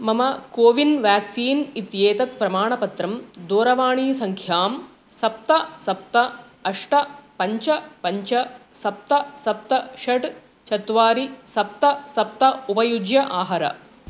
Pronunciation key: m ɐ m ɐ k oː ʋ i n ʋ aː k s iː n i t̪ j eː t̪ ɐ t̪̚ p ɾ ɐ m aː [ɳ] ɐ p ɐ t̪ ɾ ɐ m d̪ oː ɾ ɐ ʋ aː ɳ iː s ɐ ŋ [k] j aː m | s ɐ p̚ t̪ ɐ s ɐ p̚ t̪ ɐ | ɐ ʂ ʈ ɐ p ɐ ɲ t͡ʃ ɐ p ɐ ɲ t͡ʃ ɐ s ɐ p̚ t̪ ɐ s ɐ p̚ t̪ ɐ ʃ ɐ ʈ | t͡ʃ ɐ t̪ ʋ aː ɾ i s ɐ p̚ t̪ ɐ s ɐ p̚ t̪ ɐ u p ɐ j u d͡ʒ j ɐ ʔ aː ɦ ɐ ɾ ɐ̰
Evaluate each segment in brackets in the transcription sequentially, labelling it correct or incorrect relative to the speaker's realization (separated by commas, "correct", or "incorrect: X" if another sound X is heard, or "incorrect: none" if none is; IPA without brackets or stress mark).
correct, incorrect: kʰ